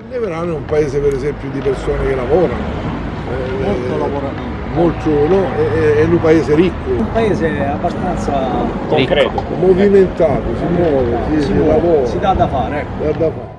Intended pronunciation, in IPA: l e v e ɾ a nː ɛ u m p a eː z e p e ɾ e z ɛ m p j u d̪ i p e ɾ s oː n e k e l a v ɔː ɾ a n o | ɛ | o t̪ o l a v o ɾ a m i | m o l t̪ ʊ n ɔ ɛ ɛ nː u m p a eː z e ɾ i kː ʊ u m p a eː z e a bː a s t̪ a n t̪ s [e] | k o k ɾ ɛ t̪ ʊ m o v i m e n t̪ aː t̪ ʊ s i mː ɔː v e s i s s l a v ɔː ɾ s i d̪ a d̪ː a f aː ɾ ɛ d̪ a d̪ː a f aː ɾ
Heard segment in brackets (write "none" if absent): a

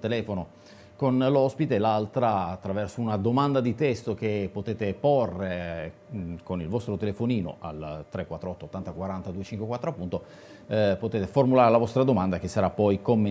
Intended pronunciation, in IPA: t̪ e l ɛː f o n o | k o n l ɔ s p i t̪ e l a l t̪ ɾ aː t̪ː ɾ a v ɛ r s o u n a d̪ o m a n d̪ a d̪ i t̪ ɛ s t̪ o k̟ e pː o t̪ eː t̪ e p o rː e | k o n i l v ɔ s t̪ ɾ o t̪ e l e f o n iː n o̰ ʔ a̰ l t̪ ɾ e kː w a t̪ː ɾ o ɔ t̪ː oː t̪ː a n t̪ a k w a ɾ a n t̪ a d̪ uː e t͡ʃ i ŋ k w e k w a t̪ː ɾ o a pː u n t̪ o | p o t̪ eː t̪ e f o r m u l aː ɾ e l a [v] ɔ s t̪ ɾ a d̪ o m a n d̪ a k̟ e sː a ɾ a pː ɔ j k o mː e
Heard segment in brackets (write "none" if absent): v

